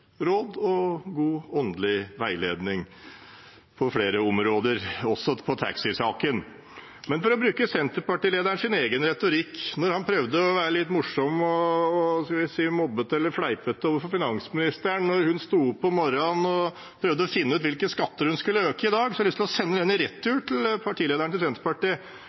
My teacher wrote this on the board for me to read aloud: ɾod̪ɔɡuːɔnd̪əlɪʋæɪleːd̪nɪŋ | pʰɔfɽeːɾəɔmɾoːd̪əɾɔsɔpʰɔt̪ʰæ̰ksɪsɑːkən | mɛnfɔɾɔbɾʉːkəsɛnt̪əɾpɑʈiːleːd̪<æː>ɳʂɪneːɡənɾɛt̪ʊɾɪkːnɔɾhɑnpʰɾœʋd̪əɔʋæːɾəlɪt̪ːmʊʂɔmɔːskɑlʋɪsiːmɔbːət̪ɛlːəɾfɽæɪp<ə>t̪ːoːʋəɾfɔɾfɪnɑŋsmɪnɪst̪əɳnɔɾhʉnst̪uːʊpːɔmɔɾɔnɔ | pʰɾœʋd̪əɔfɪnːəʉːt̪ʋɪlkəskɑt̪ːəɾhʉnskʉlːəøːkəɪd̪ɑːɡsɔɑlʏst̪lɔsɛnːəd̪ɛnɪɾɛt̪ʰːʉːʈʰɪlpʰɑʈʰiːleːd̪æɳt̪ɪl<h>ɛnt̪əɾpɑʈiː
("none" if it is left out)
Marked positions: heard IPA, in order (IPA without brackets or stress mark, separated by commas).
æ, ə, s